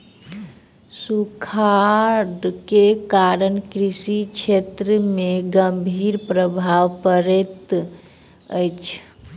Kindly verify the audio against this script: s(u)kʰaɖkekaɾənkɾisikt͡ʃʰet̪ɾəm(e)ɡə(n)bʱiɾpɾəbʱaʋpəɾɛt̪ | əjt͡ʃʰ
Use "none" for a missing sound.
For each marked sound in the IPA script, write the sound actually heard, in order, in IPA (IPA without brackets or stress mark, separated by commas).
u, e, m